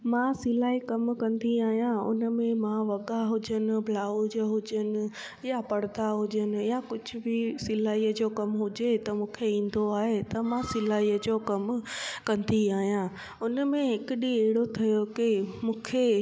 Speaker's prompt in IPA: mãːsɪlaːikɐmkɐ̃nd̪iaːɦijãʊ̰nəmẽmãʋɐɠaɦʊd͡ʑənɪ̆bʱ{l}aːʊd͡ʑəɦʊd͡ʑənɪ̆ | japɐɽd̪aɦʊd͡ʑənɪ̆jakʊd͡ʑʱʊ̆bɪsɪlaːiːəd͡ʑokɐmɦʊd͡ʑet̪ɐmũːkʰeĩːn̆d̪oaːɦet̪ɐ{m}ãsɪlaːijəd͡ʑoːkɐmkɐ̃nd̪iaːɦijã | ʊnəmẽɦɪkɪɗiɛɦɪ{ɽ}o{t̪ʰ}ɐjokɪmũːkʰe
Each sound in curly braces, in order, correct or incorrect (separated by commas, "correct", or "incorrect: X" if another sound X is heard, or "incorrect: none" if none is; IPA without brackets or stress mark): correct, correct, correct, correct